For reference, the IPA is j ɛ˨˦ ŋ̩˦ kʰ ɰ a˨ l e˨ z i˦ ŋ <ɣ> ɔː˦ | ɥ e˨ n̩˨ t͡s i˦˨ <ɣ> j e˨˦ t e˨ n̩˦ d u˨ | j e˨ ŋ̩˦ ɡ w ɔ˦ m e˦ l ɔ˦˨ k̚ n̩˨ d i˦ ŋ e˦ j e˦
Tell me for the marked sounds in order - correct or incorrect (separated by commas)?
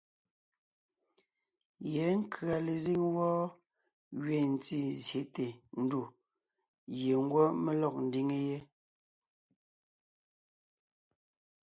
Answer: incorrect, incorrect